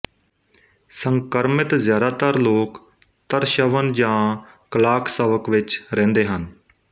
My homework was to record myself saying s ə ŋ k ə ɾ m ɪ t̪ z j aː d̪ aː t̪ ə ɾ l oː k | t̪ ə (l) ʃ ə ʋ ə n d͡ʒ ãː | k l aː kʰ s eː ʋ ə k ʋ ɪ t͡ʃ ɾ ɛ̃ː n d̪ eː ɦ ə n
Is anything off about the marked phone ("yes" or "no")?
yes